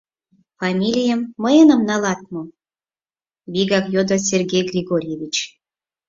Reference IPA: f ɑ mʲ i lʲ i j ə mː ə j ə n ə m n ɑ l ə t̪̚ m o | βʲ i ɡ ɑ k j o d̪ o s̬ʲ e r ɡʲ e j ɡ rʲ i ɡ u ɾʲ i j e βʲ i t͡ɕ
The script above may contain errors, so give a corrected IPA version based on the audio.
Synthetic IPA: f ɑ mʲ i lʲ i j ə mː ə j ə n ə m n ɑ l ɑ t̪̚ m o | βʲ i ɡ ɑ k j o d̪ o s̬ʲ e r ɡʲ e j ɡ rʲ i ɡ o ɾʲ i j e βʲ i t͡ɕ

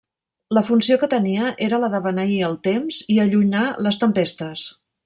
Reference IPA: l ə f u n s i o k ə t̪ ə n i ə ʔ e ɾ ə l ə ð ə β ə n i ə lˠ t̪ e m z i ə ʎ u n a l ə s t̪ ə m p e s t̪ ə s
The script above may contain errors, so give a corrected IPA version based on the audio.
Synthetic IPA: l ə f u n s i o k ə t̪ ə n i ə ʔ e ɾ ə l ə ð ə β ə n i ə lˠ t̪ e m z i ə ʎ u n a l ə s t̪ ə m p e s t̪ ə s

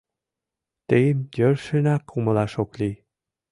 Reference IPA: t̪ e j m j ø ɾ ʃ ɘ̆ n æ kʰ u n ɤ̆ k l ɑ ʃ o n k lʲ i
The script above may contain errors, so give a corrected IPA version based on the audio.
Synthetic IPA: t̪ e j m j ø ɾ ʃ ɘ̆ n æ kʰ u m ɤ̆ l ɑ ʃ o k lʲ i

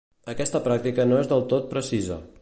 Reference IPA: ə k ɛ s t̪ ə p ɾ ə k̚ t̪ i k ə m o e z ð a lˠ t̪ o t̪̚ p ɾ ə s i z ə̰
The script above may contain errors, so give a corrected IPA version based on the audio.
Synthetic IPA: ə k ɛ s t̪ ə p ɾ a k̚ t̪ i k ə n o e z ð ə lˠ t̪ o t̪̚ p ɾ ə s i z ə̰

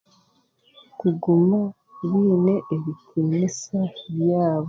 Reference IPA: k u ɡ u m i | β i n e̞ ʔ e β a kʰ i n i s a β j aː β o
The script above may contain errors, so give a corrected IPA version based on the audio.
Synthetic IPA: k u ɡ u m a | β iː n e̞ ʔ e β i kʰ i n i s a β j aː β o

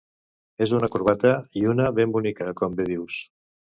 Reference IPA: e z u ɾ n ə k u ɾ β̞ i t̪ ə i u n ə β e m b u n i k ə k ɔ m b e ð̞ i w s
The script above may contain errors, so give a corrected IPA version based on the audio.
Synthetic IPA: e z u n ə k u ɾ β̞ a t̪ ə i u n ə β e m b u n i k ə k ɔ m b e ð̞ i w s

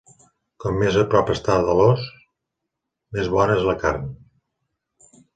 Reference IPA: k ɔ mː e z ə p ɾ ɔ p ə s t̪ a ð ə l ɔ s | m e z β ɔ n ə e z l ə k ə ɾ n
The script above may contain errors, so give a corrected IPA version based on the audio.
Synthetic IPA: k ɔ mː e z ə p ɾ ɔ p ə s t̪ a ð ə l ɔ s | m e z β ɔ n ə e z l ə k a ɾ n

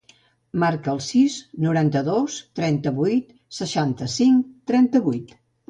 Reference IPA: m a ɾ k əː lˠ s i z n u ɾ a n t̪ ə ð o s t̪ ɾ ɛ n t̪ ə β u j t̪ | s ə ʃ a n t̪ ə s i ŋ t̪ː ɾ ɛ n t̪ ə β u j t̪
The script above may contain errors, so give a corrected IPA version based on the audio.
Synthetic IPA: m a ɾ k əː lˠ s i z n u ɾ a n t̪ ə ð o s t̪ ɾ ɛ n t̪ ə β u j t̪ | s ə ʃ a n t̪ ə s i ŋ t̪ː ɾ ɛ n t̪ ə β u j t̪

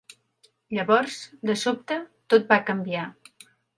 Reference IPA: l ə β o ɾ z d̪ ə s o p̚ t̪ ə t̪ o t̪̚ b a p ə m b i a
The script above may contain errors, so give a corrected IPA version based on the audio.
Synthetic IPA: ʎ ə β ɔ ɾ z d̪ ə s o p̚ t̪ ə t̪ o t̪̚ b a k ə m b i a

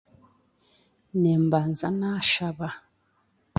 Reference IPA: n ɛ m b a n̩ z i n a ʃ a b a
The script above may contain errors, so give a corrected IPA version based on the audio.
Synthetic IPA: n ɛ m b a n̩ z a n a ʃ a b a

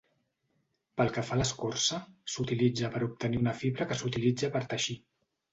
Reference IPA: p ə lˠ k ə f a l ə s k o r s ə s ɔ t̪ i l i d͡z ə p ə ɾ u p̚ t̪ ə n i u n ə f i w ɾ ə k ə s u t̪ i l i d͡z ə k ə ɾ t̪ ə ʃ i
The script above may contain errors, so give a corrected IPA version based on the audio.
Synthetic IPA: p ə lˠ k ə f a l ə s k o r s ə s u t̪ i l i d͡z ə p ə ɾ u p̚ t̪ ə n i u n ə f i β ɾ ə k ə s u t̪ i l i d͡z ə p ə ɾ t̪ ə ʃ i

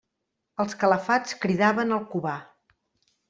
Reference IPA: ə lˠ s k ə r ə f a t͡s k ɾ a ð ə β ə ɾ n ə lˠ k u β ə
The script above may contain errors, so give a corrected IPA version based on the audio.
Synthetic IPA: ə lˠ s k ə l ə f a t͡s k ɾ i ð a β ə n ə lˠ k u β a

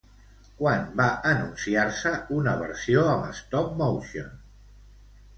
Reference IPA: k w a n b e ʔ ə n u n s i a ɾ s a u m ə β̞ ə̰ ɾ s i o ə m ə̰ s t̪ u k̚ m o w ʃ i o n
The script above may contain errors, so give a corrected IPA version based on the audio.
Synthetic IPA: k w a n b a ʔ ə n u n s i a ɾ s ə u n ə β̞ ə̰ ɾ s i o ə m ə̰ s t̪ ɔ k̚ m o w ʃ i o n

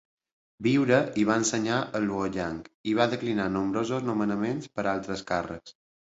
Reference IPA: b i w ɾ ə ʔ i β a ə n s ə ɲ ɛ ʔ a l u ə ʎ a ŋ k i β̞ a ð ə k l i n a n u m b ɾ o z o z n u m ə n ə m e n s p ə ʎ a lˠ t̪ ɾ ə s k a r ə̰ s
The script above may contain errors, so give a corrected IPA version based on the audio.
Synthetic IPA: b i w ɾ ə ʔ i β a ə n s ə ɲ a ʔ ə l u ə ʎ a ŋ k i β̞ a ð ə k l i n a n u m b ɾ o z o z n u m ə n ə m e n s p ə ɾ a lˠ t̪ ɾ ə s k a r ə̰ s

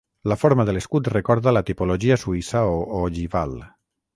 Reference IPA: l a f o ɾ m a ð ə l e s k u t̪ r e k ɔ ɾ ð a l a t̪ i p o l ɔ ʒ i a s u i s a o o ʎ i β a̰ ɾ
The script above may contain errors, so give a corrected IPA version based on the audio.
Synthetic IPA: l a f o ɾ m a ð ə l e s k u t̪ r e k ɔ ɾ ð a l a t̪ i p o l o ʒ i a s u i s a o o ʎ i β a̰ l

